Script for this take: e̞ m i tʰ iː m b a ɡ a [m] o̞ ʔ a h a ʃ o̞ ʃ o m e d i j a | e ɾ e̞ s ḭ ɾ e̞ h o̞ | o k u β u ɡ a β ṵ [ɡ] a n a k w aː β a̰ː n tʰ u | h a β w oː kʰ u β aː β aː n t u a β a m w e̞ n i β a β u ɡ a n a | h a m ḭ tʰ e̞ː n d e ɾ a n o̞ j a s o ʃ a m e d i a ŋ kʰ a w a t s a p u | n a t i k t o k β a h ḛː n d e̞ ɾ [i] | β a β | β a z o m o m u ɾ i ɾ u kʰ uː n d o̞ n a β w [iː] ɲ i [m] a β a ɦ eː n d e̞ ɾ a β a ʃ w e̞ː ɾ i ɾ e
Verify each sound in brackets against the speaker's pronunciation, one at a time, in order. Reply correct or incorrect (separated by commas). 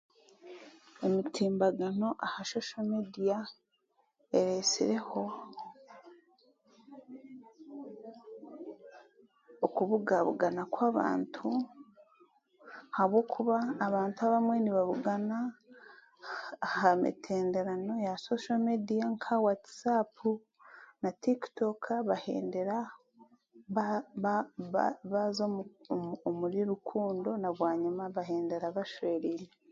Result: incorrect, correct, incorrect, incorrect, correct